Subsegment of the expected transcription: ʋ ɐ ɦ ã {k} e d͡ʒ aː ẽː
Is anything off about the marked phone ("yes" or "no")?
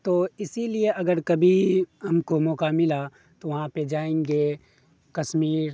yes